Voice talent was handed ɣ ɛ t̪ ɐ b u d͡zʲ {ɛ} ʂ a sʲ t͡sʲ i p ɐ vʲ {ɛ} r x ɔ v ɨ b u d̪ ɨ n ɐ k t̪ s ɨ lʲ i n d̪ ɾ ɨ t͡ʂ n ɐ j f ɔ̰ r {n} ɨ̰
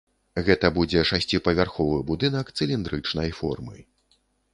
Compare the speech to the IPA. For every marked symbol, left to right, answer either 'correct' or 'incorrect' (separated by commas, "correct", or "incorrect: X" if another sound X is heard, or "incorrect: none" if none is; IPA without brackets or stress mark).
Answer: correct, incorrect: a, incorrect: m